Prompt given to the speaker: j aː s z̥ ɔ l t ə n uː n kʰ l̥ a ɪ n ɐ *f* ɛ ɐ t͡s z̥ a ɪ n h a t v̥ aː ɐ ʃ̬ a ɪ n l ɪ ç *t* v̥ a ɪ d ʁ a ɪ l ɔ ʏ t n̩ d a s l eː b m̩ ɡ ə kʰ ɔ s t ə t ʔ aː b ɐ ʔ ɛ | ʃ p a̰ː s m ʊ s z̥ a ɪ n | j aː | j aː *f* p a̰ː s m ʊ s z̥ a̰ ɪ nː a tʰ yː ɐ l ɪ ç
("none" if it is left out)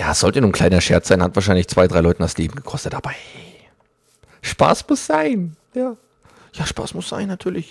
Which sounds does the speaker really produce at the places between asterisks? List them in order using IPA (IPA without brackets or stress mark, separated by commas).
ʃ, t͡s, ʃ